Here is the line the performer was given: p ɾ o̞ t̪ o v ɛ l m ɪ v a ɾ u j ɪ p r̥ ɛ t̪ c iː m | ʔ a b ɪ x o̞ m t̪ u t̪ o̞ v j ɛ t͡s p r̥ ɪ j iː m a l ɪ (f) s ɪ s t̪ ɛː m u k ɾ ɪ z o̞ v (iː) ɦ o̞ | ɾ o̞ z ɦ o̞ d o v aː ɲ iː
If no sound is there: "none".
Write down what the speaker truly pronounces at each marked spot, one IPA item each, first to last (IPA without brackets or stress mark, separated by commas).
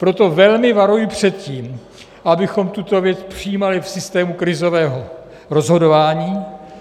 f, ɛː